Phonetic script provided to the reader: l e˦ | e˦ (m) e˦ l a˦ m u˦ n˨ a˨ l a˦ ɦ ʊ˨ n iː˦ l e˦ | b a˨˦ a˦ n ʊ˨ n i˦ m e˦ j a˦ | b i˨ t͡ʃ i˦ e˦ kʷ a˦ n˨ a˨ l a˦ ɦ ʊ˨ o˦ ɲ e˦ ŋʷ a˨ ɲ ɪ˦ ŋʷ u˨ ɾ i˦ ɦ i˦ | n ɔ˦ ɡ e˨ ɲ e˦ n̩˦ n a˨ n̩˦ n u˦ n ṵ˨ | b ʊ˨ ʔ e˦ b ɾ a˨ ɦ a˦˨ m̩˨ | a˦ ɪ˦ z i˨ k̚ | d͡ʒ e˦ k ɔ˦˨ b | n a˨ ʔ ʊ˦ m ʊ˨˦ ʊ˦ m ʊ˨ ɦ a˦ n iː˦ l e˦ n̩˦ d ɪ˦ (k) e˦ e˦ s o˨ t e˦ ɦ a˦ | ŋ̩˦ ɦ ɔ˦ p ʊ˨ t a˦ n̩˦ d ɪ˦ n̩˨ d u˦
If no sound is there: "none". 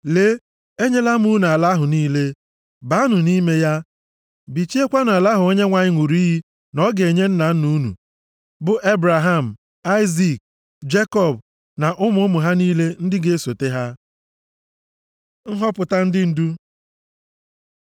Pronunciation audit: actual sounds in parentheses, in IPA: ɲ, ɡ

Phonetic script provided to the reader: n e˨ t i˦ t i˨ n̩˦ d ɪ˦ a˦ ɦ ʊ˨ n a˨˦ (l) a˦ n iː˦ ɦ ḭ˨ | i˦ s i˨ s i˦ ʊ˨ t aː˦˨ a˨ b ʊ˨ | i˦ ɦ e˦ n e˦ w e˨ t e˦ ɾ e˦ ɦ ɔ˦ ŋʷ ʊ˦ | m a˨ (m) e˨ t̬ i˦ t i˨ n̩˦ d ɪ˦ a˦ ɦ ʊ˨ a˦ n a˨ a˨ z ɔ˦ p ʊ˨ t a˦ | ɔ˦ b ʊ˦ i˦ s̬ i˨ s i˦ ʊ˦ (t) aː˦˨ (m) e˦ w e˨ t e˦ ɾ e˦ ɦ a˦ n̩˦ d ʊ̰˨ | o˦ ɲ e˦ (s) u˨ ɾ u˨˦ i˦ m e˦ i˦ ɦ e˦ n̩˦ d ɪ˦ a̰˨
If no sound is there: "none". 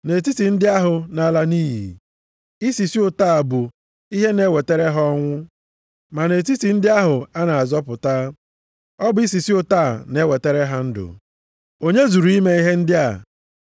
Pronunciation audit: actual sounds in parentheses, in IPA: l, n, t, n, z

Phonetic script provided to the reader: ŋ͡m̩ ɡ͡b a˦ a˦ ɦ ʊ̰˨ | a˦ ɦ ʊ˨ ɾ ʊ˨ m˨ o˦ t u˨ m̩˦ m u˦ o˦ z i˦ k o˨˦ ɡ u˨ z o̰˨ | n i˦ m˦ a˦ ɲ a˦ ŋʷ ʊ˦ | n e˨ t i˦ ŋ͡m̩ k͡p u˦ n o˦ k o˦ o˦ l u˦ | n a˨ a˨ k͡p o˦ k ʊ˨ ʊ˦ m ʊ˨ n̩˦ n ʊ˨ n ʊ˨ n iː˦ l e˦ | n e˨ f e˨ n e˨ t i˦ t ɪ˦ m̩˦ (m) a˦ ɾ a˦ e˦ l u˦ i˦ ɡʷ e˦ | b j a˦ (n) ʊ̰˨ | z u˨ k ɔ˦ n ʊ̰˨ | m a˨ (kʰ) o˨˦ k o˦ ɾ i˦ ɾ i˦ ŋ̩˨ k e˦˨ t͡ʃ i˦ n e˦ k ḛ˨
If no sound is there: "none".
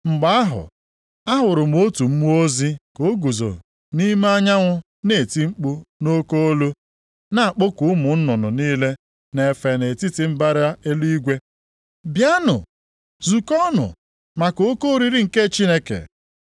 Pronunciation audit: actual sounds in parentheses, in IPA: b, n, k

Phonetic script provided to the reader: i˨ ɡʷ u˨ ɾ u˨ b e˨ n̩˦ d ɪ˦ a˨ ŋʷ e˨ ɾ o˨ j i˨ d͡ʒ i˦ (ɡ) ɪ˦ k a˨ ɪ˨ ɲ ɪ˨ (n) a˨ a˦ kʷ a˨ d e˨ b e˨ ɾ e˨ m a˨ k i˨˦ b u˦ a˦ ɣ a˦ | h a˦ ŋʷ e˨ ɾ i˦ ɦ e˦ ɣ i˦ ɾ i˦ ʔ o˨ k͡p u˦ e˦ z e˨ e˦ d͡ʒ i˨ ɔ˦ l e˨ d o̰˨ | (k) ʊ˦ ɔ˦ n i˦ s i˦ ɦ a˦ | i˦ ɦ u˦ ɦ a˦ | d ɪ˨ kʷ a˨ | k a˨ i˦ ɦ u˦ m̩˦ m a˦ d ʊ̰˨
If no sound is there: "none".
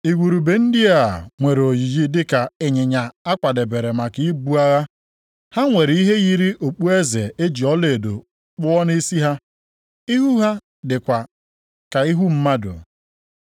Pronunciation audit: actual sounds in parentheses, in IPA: d, ɲ, k͡p

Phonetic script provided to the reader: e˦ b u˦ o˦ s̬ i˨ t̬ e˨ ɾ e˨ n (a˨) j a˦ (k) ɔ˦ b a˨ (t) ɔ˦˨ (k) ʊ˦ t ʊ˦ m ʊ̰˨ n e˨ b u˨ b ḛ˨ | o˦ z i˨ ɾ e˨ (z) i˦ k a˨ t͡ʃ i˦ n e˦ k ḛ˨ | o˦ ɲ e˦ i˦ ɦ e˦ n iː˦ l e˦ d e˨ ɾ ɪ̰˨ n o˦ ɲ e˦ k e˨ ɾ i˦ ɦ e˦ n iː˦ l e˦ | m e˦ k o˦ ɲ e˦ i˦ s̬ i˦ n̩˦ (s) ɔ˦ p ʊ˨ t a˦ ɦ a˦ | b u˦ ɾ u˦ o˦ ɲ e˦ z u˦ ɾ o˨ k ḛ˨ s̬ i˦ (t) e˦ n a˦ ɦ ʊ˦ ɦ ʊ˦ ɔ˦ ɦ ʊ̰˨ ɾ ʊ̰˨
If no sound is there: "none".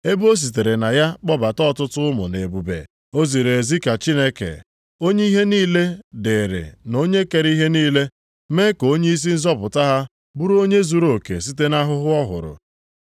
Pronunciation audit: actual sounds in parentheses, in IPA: a˨, k͡p, t, t, z, z, t

